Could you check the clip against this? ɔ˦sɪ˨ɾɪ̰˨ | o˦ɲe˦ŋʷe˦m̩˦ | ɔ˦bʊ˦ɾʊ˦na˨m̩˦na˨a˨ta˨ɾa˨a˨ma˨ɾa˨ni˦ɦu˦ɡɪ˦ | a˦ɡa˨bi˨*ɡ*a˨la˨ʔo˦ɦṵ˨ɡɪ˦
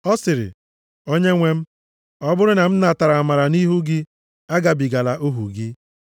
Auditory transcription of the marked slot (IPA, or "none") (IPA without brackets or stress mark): ɡ